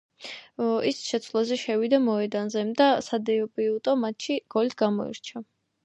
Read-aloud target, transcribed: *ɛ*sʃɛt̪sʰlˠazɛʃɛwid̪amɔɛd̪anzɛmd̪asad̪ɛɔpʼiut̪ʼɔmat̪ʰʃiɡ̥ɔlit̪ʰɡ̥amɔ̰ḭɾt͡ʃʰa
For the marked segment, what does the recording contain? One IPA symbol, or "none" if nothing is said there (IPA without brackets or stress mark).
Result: i